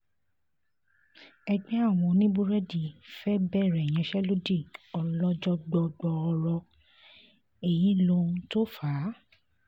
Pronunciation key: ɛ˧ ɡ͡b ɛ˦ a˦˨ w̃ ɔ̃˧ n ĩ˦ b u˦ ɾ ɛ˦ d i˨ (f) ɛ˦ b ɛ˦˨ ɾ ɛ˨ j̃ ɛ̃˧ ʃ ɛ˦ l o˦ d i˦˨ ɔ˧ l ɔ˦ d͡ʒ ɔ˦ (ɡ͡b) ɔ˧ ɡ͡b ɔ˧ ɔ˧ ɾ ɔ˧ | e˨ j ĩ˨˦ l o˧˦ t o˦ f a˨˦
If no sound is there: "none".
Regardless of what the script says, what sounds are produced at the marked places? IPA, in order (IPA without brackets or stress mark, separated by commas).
f, ɡ͡b